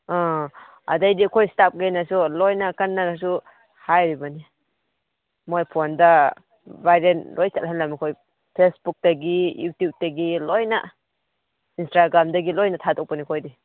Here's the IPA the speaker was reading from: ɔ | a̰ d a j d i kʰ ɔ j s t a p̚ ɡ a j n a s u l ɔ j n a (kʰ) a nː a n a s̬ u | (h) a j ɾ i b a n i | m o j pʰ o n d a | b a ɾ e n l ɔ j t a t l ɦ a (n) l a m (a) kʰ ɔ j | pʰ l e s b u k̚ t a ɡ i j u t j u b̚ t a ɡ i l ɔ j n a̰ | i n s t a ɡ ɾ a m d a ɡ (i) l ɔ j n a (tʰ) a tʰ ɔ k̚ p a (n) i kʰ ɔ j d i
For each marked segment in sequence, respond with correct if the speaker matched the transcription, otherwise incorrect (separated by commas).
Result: incorrect, correct, correct, incorrect, correct, correct, correct